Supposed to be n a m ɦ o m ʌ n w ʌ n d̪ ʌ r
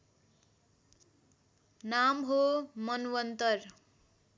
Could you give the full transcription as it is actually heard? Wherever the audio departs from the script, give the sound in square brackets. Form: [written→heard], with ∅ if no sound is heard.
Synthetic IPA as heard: n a m ɦ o m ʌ n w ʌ n [d̪→t̪] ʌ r